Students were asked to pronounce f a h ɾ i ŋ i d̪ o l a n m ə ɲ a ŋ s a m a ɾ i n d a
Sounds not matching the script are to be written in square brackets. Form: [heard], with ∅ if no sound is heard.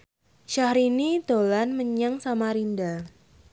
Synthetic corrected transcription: [ʃ] a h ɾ i [n] i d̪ o l a n m ə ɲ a ŋ s a m a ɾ i n d a